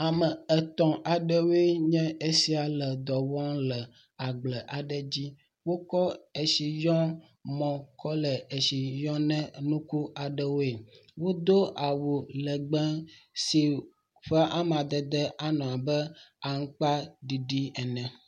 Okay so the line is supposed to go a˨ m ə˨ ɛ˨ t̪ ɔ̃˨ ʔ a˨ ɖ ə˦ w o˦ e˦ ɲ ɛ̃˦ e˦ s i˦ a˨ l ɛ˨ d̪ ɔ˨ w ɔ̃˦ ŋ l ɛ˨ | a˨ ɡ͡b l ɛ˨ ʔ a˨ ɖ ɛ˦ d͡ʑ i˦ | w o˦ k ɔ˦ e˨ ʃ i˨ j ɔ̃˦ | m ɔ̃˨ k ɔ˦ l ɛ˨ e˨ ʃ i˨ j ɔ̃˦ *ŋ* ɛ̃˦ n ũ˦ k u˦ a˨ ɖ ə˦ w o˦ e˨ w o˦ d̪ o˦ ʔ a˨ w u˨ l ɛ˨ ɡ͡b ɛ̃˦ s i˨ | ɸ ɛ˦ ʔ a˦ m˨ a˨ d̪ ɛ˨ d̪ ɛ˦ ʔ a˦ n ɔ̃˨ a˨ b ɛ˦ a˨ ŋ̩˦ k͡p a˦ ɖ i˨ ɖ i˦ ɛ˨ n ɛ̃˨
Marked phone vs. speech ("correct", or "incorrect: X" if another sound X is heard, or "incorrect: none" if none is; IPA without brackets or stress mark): incorrect: n